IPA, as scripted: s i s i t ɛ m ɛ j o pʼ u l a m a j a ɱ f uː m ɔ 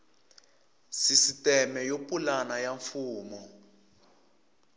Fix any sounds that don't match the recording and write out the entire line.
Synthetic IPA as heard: s i s i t ɛ m ɛ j o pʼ u l a n a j a ɱ f uː m ɔ

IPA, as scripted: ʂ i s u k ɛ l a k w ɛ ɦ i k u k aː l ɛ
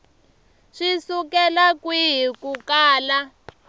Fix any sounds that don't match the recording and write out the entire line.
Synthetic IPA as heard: ʂ i s u k ɛ l a k w i ɦ i k u k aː l a

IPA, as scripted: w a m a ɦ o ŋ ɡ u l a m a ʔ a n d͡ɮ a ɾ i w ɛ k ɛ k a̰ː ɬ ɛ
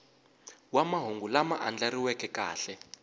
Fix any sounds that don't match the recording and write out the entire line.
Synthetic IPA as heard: w a m a ɦ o ŋ ɡ u l a m a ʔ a n d͡ɮ a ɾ i w ɛ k ɛ k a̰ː ɬ ɛ

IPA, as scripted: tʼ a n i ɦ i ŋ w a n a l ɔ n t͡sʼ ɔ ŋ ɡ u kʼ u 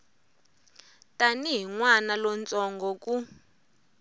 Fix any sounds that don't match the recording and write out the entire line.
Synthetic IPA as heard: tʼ a n i ɦ i ŋ w a n a l ɔ n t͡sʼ ɔ ŋ ɡ ɔ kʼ u

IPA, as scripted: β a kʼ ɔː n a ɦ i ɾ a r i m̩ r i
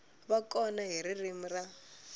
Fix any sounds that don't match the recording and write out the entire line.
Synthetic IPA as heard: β a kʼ ɔ n a ɦ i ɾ i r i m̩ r a

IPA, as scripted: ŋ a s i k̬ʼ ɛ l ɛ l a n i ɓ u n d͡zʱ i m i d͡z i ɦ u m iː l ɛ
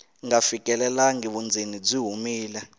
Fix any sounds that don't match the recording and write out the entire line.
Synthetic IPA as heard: ŋ a f i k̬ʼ ɛ l ɛ l a ŋ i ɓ u n d͡zʱ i n i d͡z i ɦ u m iː l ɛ

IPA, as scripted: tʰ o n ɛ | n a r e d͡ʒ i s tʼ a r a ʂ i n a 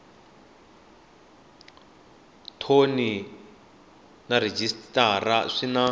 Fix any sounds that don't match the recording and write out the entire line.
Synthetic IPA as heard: tʰ o n i | n a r e d͡ʒ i s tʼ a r a ʂ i n a

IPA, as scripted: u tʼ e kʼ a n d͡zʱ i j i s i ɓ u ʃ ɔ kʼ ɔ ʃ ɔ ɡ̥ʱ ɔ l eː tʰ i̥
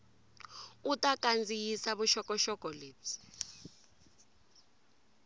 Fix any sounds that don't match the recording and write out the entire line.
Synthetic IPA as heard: u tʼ a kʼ a n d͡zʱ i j i s a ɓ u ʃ ɔ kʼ ɔ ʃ ɔ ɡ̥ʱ ɔ l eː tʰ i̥

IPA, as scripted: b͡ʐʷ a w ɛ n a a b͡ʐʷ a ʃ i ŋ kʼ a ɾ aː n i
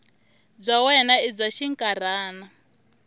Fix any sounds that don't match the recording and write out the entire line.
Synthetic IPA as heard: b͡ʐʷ a w ɛ n a i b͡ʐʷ a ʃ i ŋ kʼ a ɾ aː n a

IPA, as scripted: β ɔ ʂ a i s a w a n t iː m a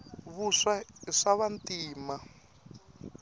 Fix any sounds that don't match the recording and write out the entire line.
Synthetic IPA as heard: β u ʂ a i ʂ a β a n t iː m a

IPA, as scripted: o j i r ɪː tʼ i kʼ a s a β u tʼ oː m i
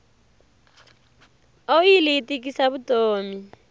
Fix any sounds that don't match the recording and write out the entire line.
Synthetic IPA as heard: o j i l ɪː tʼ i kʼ i s a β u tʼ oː m i

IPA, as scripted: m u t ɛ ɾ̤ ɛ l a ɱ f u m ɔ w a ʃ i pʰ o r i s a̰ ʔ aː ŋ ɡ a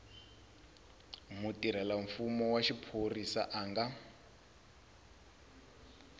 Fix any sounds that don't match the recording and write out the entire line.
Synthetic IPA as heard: m u t i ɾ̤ ɛ l a ɱ f u m ɔ w a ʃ i pʰ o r i s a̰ ʔ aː ŋ ɡ a

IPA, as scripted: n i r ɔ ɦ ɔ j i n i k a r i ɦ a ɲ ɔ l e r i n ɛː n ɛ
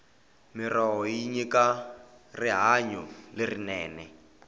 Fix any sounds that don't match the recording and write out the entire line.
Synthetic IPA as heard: m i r ɔ ɦ ɔ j i ɲ i k a r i ɦ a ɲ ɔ l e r i n ɛː n ɛ

